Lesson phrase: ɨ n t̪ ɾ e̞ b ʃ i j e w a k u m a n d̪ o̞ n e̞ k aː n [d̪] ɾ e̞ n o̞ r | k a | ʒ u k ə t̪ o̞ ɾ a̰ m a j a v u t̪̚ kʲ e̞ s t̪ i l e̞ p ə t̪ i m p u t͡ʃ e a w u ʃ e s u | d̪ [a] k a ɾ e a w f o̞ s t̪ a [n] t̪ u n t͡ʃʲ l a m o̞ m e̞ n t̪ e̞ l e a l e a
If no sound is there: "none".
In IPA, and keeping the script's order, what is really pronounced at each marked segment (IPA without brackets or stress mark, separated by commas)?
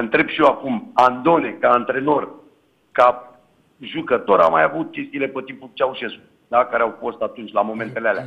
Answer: t̪, a, none